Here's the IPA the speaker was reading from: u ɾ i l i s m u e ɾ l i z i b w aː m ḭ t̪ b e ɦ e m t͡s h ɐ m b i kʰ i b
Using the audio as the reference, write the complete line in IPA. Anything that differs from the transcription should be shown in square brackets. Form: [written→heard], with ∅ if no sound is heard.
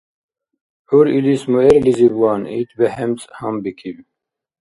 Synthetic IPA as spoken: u ɾ i l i s m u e ɾ l i z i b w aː [m→n] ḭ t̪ b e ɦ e m t͡s h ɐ m b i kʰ i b

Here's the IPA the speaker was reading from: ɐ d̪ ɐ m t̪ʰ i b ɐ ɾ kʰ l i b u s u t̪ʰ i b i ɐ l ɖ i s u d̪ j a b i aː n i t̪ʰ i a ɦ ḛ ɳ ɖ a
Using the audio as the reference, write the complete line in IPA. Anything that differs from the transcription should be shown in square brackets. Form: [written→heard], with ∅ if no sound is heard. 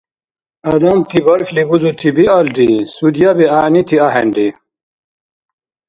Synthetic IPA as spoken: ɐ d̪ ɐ m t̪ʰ i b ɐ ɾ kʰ l i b u [s→z] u t̪ʰ i b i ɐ l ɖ i s u d̪ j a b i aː n i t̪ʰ i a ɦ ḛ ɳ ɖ [a→i]

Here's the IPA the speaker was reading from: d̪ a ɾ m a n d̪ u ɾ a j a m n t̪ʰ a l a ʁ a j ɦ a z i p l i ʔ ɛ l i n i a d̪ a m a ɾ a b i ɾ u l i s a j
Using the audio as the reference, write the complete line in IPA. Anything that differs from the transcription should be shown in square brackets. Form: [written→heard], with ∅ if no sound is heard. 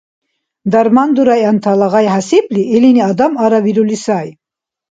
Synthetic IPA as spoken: d̪ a ɾ m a n d̪ u ɾ a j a [m→∅] n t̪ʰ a l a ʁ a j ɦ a [z→s] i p l i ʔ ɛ l i n i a d̪ a m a ɾ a [b→v] i ɾ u l i s a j

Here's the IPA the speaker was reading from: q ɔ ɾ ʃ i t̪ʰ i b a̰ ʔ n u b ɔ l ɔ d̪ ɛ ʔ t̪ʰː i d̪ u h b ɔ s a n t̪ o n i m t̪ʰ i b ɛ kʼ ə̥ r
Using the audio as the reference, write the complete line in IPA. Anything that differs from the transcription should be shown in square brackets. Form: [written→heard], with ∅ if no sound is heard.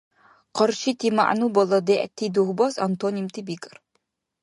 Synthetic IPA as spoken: q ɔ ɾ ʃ i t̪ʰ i [b→m] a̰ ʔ n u b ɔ l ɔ d̪ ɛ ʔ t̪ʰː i d̪ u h b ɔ s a n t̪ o n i m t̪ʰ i b [ɛ→i] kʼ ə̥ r

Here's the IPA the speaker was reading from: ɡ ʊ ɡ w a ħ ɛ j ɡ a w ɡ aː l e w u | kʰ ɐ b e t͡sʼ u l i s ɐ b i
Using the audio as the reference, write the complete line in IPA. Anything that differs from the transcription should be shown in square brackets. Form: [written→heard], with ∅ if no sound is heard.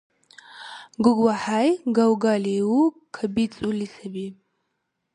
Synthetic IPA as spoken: ɡ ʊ ɡ w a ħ [ɛ→a] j ɡ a w ɡ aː l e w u | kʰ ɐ b [e→i] t͡sʼ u l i s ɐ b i

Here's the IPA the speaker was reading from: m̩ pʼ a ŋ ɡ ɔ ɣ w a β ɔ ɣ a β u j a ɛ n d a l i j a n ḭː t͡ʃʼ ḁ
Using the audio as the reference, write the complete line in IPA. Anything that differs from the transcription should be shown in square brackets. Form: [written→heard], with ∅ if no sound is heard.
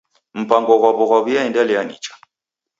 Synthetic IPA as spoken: m̩ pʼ a ŋ ɡ ɔ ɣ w a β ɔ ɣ a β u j a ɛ n d a l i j a n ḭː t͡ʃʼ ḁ

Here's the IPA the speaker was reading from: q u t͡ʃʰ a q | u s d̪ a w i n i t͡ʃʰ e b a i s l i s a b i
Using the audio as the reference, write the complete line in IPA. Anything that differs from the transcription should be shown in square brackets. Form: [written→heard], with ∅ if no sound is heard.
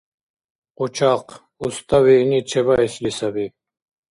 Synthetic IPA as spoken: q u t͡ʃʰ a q | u s [d̪→t̪] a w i n i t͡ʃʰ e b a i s l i s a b i

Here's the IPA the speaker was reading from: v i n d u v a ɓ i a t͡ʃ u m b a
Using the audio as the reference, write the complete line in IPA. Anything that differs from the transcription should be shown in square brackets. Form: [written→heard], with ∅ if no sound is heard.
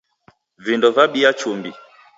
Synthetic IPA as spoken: v i n d [u→ɔ] v a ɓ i a t͡ʃ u m b [a→i]

